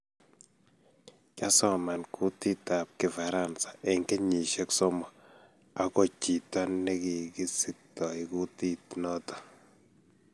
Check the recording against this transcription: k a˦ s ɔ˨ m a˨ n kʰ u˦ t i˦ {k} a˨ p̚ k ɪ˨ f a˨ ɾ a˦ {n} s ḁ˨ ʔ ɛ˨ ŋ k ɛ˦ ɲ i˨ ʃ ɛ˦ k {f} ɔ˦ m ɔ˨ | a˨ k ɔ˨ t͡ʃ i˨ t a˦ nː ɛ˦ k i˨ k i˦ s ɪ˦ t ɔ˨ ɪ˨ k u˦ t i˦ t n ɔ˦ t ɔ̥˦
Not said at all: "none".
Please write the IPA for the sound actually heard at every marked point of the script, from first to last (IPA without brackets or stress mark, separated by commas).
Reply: t, n, s